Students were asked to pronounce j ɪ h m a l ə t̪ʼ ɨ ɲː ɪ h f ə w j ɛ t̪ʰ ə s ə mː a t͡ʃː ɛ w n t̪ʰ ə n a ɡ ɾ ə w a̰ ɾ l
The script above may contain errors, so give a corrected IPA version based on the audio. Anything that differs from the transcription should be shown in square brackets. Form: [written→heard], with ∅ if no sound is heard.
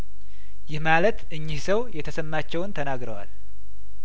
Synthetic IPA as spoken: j ɪ h m a l ə [t̪ʼ→t̪] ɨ ɲː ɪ h [f→s] ə w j ɛ t̪ʰ ə s ə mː a t͡ʃː ɛ w n t̪ʰ ə n a ɡ ɾ ə w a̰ [ɾ→∅] l